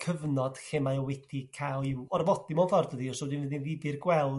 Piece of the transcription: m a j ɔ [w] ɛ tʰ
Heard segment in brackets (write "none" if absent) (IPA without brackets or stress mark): w